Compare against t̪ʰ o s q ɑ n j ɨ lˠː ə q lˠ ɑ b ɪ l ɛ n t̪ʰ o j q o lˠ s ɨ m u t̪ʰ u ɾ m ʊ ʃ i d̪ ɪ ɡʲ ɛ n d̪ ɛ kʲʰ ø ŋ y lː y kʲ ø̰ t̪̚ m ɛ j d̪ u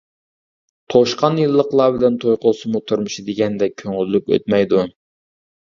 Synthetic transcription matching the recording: t̪ʰ o ʃ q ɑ n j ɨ lˠː ə q lˠ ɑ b ɪ l ɛ n t̪ʰ o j q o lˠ s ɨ m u t̪ʰ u ɾ m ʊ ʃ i d̪ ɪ ɡʲ ɛ n d̪ ɛ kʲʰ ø ŋ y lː y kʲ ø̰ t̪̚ m ɛ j d̪ u